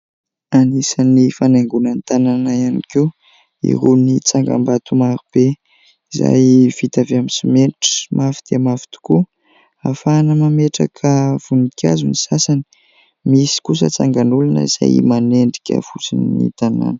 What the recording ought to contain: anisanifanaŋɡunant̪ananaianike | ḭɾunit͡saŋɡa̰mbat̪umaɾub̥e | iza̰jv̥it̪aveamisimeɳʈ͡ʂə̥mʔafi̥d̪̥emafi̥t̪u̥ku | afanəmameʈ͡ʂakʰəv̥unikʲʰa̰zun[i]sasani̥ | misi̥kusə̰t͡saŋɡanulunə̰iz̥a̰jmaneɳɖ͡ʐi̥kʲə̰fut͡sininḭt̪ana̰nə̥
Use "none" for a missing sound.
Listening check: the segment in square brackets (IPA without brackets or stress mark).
i